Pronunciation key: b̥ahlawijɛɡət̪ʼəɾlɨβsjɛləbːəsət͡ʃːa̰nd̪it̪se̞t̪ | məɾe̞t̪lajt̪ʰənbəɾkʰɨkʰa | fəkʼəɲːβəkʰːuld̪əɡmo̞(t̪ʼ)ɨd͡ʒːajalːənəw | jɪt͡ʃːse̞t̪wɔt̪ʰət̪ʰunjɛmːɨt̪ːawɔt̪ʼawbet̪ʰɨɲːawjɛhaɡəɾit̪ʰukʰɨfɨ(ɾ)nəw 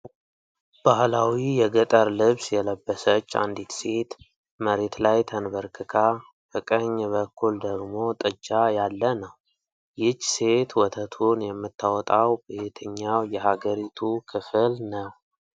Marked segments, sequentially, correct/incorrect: correct, incorrect: l

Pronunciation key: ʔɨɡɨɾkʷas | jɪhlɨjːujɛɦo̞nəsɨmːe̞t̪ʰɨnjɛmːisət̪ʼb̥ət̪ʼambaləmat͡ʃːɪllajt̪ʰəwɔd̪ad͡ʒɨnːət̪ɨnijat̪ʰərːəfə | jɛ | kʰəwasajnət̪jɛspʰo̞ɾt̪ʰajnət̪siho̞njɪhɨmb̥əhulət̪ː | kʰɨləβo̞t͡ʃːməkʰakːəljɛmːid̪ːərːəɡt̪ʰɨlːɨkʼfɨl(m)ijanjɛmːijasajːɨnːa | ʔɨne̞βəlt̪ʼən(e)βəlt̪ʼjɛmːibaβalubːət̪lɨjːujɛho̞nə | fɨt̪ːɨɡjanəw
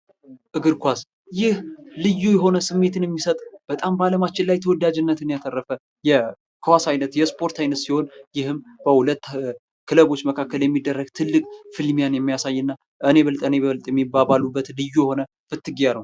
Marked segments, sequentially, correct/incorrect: correct, correct

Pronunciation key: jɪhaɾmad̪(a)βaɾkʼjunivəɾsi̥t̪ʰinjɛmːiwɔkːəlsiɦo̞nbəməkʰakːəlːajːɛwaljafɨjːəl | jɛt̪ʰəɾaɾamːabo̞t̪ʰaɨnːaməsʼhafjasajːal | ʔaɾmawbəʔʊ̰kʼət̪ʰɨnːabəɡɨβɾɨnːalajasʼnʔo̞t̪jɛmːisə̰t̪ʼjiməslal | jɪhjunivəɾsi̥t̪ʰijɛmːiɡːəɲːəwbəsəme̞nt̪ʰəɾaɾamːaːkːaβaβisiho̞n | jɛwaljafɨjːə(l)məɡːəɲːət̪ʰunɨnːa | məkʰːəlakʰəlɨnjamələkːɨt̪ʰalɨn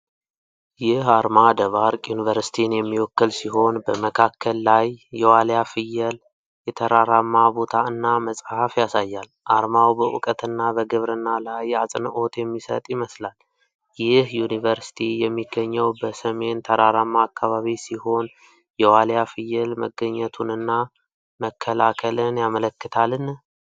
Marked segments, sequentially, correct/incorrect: incorrect: ə, correct

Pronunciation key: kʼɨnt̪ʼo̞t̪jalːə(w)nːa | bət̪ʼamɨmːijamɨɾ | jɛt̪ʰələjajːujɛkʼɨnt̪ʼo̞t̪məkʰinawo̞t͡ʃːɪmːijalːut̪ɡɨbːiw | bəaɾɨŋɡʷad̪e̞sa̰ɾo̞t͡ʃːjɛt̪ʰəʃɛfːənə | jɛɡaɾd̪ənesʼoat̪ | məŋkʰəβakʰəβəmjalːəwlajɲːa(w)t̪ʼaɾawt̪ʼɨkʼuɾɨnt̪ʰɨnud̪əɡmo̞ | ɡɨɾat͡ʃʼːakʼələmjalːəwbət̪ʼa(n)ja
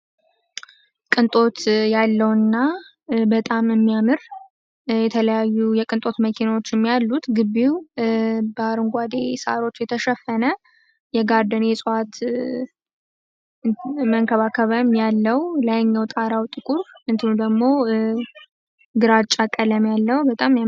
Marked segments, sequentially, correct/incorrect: correct, correct, incorrect: m

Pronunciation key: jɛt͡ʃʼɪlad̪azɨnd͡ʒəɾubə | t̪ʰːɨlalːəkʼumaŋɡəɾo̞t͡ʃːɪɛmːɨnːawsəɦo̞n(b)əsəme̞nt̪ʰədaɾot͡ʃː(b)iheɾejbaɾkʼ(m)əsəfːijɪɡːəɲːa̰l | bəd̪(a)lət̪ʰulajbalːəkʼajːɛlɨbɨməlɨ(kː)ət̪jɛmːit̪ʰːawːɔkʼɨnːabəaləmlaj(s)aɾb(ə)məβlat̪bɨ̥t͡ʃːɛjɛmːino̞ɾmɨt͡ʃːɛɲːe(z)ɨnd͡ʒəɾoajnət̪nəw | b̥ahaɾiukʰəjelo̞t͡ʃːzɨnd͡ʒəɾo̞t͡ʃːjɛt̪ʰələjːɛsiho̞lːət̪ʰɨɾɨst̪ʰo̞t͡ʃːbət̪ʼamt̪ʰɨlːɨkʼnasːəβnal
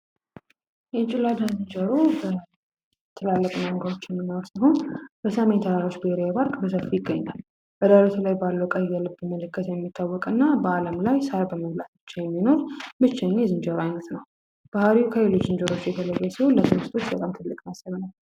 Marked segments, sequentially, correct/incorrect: correct, correct, incorrect: b, correct, correct, correct, correct, correct

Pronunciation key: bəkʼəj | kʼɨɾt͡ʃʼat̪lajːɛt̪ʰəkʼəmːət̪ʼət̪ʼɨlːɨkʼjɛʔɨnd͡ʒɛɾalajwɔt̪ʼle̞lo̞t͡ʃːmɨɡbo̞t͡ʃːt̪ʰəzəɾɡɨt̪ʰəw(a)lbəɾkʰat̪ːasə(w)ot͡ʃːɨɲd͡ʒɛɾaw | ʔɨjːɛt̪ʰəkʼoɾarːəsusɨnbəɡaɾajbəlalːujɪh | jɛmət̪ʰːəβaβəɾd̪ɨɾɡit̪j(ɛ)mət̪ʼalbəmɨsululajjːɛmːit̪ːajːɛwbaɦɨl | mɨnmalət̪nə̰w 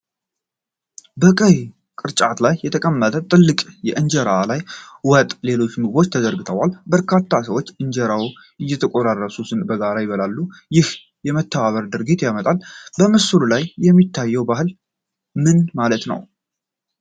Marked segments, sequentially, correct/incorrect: correct, correct, incorrect: a

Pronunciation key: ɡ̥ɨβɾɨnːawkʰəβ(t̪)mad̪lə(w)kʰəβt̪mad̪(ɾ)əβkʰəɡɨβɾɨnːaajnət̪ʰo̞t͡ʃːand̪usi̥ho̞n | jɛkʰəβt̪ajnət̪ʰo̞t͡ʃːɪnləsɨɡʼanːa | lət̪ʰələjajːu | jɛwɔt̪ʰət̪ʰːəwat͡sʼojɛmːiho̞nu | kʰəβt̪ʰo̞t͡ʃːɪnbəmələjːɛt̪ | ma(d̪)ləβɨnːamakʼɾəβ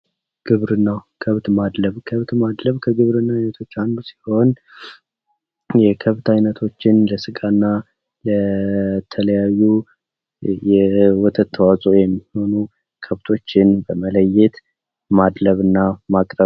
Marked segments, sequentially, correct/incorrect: correct, incorrect: β, incorrect: l, correct

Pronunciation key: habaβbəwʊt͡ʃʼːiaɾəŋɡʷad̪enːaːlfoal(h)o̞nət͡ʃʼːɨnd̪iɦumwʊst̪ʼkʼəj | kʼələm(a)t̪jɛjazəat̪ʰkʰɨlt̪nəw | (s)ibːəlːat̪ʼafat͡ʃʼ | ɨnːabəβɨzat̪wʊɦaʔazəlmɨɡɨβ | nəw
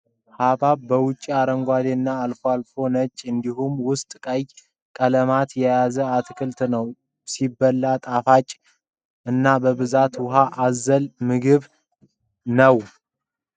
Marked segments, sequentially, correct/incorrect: incorrect: f, correct, correct

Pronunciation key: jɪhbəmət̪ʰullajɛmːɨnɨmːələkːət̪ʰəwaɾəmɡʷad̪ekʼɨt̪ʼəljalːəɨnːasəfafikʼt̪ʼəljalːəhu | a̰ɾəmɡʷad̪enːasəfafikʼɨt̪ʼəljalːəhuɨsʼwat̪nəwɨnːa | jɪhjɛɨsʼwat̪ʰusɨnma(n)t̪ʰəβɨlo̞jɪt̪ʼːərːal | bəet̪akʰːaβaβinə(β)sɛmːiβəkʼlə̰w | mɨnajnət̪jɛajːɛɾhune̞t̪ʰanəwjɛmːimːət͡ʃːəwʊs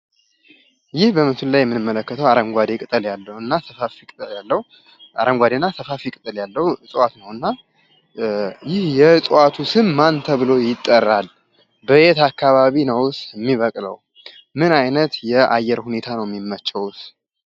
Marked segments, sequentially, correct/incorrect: correct, incorrect: w

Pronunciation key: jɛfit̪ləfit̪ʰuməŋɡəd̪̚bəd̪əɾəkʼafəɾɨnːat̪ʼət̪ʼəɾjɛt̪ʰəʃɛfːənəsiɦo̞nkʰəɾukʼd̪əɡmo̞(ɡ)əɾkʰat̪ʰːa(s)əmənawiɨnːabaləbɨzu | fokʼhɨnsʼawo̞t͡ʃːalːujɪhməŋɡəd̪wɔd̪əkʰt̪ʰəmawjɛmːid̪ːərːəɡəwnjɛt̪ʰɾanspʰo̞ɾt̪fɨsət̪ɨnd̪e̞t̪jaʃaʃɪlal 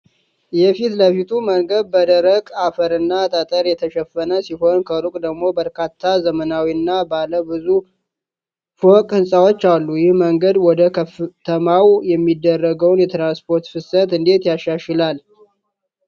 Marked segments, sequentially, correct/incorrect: incorrect: b, incorrect: z

